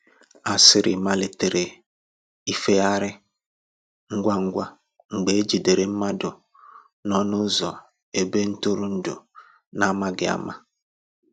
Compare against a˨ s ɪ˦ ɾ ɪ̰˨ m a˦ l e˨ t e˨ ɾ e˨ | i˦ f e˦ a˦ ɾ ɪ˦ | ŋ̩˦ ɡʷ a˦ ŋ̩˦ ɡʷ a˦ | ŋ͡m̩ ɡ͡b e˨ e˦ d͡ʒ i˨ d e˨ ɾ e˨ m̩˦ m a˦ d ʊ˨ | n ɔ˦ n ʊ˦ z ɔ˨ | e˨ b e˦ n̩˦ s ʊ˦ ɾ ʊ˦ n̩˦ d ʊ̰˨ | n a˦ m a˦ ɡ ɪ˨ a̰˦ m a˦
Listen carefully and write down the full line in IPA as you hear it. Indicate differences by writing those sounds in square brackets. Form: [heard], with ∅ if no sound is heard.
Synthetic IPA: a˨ s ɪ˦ ɾ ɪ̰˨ m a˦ l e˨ t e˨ ɾ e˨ | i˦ f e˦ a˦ ɾ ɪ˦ | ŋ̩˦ ɡʷ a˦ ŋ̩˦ ɡʷ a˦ | ŋ͡m̩ ɡ͡b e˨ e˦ d͡ʒ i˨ d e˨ ɾ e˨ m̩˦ m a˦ d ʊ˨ | n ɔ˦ n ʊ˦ z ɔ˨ | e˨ b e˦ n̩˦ [t] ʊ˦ ɾ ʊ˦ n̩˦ d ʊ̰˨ | n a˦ m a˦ ɡ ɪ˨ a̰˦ m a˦